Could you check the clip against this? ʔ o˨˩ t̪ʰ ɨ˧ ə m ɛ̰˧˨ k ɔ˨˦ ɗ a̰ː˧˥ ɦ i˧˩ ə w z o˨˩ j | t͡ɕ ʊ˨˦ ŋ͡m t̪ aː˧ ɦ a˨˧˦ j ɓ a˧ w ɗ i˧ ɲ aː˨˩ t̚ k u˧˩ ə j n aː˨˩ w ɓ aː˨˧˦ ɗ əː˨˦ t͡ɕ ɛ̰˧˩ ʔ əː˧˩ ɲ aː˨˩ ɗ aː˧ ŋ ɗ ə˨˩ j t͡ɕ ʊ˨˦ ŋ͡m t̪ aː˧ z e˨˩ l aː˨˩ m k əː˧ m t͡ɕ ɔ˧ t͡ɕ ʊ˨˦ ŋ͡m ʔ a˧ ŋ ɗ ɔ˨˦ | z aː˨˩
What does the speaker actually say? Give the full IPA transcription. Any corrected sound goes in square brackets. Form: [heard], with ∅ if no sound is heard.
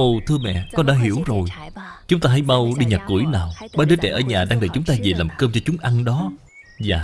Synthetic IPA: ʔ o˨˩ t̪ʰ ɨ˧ ə m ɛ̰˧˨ k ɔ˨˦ ɗ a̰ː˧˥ ɦ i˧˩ ə w z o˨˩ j | t͡ɕ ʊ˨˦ ŋ͡m t̪ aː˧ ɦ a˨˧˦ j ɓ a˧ w ɗ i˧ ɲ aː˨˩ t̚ k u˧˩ ə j n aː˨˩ w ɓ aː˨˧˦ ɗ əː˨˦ t͡ɕ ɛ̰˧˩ ʔ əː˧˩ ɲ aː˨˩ ɗ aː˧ ŋ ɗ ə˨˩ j t͡ɕ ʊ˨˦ ŋ͡m t̪ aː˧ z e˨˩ l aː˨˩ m k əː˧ m t͡ɕ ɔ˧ t͡ɕ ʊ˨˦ ŋ͡m ʔ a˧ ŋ ɗ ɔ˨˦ | z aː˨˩